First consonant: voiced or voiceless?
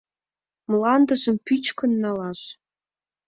voiced